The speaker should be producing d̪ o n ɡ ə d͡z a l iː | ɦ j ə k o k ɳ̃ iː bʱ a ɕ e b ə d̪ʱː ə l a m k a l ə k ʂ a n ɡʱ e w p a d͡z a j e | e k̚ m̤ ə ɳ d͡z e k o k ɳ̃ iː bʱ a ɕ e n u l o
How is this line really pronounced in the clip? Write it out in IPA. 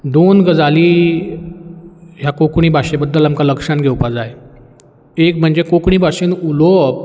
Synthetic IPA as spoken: d̪ o n ɡ ə d͡z a l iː | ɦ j a k o k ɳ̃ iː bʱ a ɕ e b ə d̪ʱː ə l a m k a l ə k ʂ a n ɡʱ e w p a d͡z a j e | e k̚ m̤ ə ɳ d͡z e k o k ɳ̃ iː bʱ a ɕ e n u l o